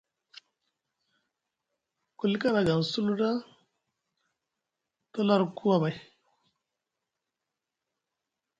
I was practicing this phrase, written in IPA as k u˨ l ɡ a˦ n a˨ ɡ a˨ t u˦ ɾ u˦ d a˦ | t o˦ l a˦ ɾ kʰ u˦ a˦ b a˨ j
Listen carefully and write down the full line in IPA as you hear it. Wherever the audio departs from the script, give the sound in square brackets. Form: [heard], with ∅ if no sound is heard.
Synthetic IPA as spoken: k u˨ l [k] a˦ n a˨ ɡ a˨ [s] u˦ [l] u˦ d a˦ | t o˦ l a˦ ɾ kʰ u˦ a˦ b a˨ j

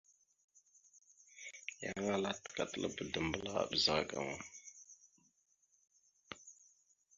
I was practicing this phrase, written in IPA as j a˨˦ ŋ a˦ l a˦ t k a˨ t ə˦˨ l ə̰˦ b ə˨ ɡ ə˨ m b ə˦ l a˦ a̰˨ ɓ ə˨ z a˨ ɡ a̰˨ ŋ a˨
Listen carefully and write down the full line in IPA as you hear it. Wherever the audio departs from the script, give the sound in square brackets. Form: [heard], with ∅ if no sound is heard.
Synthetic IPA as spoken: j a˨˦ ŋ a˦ l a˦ t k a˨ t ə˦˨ l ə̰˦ b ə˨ [d] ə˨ m b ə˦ l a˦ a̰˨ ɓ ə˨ z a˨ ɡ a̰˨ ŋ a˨

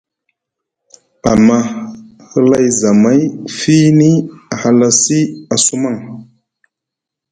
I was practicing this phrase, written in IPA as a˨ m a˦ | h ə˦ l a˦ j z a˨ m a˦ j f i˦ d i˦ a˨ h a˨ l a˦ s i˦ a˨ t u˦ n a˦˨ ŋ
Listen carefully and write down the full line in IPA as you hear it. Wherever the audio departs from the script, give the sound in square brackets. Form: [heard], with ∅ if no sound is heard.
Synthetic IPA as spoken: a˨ m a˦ | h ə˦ l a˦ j z a˨ m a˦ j f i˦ [n] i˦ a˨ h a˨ l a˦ s i˦ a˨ [s] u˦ [m] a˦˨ ŋ

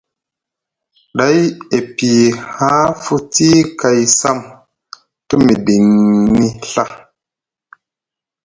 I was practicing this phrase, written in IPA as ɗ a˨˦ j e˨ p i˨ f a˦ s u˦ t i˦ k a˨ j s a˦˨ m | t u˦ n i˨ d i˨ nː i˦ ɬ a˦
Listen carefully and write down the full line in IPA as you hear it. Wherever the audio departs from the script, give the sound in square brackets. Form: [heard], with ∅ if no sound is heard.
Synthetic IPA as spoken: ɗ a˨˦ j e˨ p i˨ [h] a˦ [f] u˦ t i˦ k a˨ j s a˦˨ m | t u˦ [m] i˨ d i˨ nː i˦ ɬ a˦

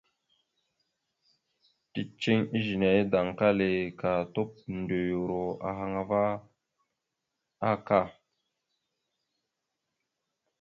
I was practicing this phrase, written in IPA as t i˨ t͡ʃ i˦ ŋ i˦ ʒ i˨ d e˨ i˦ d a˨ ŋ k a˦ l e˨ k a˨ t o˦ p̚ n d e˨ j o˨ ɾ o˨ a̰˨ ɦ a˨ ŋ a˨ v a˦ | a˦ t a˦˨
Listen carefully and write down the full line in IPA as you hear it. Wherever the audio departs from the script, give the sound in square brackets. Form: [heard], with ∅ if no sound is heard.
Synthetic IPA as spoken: t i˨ t͡ʃ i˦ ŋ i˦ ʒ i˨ [n] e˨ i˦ d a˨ ŋ k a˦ l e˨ k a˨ t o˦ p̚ n d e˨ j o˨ ɾ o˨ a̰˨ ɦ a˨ ŋ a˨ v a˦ | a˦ [k] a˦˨

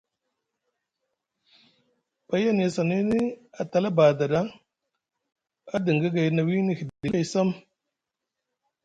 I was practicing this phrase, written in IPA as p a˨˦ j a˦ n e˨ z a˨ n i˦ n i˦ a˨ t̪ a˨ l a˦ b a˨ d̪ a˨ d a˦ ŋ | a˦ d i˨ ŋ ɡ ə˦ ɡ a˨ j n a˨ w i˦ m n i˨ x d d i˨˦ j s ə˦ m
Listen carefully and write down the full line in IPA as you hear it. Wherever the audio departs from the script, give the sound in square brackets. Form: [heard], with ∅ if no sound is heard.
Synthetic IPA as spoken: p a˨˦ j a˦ n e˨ [s] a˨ n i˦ n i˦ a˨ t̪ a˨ l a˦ b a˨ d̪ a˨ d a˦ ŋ | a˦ d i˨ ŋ ɡ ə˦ ɡ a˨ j n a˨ w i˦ [∅] n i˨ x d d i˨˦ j s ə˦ m

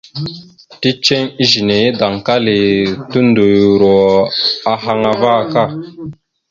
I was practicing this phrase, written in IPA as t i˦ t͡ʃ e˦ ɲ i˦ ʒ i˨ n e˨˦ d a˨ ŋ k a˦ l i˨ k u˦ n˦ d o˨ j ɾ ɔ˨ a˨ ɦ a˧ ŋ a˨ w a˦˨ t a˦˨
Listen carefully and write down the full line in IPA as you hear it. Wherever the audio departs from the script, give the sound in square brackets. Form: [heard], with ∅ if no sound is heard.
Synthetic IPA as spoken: t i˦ t͡ʃ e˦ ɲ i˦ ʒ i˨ n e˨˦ d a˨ ŋ k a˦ l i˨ [t] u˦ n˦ d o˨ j ɾ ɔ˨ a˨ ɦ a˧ ŋ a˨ [v] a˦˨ [k] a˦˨

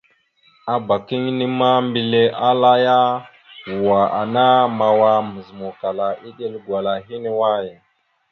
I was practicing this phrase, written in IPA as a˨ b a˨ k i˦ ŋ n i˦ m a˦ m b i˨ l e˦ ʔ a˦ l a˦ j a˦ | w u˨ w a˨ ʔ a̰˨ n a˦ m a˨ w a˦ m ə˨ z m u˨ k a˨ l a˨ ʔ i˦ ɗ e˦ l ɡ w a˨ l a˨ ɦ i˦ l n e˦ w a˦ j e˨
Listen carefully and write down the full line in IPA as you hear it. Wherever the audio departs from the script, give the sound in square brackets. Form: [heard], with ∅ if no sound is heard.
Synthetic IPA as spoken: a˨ b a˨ k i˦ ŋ n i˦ m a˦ m b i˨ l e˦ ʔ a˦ l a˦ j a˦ | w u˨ w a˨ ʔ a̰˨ n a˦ m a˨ w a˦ m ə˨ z m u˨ k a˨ l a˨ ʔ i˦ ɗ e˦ l ɡ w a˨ l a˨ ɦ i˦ [∅] n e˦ w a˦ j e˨

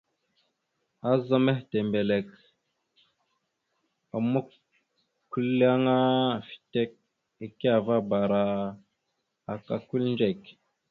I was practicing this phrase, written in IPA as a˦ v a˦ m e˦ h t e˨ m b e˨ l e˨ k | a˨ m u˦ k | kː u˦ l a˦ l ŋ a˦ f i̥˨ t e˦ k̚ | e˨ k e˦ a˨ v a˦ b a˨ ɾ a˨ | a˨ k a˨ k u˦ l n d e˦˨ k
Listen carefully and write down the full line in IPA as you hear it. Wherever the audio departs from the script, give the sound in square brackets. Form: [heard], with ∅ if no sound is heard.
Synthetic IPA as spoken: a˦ [z] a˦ m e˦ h t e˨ m b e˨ l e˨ k | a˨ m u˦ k | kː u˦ l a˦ [∅] ŋ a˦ f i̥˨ t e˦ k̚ | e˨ k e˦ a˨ v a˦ b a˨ ɾ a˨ | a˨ k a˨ k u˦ l n [d͡ʒ] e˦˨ k

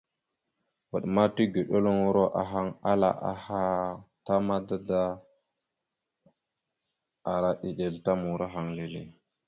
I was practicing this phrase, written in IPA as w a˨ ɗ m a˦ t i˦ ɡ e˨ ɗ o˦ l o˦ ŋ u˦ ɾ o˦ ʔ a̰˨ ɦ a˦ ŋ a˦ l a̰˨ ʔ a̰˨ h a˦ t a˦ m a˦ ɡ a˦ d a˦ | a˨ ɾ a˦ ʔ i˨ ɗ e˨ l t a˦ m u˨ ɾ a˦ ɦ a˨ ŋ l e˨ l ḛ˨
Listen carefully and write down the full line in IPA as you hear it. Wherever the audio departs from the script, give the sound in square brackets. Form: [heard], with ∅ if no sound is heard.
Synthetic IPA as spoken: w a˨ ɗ m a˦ t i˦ ɡ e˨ ɗ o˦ l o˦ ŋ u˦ ɾ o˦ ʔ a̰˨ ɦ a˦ ŋ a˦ l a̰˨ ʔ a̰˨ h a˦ t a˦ m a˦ [d] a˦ d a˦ | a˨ ɾ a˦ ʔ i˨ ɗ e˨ l t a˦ m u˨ ɾ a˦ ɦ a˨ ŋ l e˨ l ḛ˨

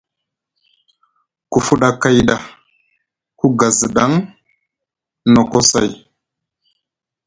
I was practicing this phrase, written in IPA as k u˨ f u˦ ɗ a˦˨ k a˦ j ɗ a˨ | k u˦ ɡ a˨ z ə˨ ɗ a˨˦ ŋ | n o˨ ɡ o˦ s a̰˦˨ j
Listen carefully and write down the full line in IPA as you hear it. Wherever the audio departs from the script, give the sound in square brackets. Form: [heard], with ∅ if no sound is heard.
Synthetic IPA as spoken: k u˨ f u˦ ɗ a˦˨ k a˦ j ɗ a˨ | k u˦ ɡ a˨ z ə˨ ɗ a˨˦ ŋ | n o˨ [k] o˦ s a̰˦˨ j

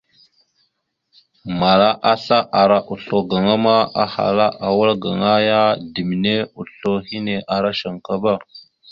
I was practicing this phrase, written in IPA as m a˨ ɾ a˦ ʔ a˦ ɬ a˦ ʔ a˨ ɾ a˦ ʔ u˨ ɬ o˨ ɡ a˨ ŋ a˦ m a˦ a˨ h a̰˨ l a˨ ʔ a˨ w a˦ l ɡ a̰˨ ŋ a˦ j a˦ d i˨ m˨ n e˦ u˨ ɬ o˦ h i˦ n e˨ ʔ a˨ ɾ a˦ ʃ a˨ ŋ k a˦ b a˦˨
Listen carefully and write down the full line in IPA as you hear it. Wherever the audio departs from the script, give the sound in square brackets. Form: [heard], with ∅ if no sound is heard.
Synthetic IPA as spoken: m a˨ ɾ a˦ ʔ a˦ ɬ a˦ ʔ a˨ ɾ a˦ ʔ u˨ ɬ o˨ ɡ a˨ ŋ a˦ m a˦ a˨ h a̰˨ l [a˦] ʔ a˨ w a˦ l ɡ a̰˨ ŋ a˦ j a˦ d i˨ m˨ n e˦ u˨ ɬ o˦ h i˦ n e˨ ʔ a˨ ɾ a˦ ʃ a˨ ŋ k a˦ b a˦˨

